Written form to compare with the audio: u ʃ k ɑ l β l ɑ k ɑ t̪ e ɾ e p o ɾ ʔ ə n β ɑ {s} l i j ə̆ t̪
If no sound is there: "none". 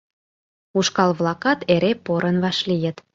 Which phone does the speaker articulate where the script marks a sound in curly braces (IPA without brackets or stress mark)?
ʃ